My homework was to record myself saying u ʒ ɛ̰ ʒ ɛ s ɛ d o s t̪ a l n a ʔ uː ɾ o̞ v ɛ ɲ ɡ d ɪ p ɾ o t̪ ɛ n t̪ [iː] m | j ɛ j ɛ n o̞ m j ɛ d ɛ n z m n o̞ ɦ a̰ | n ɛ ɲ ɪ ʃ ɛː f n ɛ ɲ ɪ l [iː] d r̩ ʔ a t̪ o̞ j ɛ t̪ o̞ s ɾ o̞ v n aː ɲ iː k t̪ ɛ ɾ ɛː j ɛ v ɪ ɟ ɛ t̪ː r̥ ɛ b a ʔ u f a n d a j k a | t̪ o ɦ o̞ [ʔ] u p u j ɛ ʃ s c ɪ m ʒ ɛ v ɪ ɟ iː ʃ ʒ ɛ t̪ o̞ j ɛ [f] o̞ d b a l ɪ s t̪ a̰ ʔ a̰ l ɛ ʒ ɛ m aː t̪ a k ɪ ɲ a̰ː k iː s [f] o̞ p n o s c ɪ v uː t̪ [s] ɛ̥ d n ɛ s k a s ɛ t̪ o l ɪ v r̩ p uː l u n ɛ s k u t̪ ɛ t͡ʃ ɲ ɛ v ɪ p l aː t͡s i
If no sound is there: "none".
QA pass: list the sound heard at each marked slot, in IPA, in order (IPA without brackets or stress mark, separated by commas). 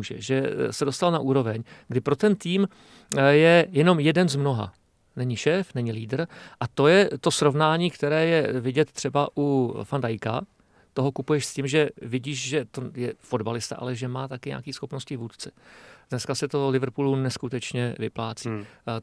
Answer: iː, iː, k, f, x, t͡s